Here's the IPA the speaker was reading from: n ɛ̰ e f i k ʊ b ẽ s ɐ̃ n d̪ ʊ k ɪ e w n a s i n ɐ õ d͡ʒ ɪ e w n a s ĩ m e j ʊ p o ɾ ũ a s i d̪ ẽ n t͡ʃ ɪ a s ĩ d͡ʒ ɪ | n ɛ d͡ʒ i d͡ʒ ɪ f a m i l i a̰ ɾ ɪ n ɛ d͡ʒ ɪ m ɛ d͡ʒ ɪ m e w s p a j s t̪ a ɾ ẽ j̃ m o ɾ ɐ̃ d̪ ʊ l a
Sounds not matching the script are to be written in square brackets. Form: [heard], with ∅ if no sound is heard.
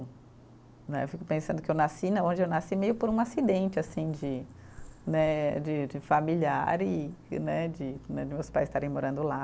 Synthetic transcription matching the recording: n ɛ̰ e f i k ʊ [p] ẽ s ɐ̃ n d̪ ʊ k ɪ e w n a s i n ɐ õ d͡ʒ ɪ e w n a s [i] m e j ʊ p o ɾ ũ a s i d̪ ẽ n t͡ʃ ɪ a s ĩ d͡ʒ ɪ | n ɛ d͡ʒ [ɪ] d͡ʒ ɪ f a m i l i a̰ ɾ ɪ n ɛ d͡ʒ ɪ [n] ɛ d͡ʒ ɪ m e w s p a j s t̪ a ɾ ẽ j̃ m o ɾ ɐ̃ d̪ ʊ l a